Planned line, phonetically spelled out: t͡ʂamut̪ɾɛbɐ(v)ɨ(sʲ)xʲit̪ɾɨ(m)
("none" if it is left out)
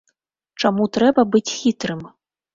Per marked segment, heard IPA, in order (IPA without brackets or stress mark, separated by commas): b, t͡sʲ, m